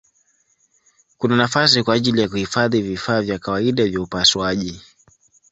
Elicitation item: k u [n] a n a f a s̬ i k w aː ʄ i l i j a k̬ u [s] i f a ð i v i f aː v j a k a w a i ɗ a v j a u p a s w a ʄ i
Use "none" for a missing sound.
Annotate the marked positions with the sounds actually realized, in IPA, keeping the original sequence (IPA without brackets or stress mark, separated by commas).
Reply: n, h